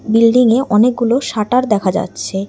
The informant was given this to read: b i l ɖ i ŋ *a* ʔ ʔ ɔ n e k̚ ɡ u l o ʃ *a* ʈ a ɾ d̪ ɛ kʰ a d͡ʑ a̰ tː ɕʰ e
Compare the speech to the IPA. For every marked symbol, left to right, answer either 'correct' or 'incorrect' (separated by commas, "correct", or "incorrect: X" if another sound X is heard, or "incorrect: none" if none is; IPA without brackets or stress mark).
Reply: incorrect: e, correct